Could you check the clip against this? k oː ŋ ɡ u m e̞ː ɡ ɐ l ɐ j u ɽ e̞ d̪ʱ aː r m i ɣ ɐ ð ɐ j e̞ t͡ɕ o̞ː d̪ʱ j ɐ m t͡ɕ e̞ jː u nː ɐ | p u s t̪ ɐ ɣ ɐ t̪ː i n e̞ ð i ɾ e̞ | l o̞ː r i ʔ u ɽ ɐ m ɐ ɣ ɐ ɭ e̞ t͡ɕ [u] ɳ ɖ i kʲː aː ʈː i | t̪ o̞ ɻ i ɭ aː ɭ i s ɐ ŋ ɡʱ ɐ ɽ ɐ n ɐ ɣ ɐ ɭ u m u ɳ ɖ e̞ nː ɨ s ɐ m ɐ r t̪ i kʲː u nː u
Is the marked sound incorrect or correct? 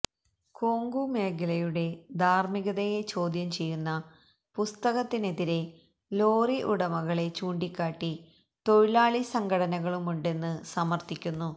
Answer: incorrect